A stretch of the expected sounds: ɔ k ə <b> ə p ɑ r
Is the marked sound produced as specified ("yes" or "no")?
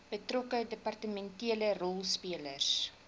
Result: no